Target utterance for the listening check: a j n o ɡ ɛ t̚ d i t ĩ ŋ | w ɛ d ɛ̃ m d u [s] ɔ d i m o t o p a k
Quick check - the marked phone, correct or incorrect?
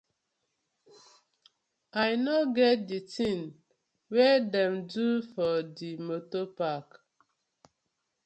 incorrect